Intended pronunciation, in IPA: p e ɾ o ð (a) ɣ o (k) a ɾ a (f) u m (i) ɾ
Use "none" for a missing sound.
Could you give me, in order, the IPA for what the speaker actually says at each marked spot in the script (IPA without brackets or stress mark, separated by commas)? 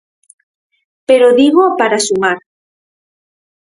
i, p, s, a